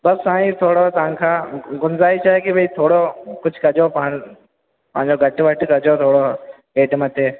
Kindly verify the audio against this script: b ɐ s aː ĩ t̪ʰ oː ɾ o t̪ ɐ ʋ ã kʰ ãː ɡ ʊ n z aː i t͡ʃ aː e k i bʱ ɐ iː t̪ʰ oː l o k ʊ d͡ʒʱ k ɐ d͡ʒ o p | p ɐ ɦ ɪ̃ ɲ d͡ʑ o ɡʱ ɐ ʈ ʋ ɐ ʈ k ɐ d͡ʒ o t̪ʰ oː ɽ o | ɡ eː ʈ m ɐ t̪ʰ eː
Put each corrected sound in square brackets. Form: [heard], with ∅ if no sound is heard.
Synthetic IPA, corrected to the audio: b ɐ s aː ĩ t̪ʰ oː [ɽ] o t̪ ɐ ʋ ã kʰ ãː ɡ ʊ n z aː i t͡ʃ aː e k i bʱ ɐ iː t̪ʰ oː [ɽ] o k ʊ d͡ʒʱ k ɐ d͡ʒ o p | p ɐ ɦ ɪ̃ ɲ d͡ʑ o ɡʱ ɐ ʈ ʋ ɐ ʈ k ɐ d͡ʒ o t̪ʰ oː ɽ o | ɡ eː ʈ m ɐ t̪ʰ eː